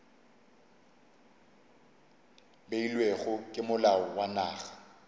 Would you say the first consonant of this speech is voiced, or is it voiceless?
voiced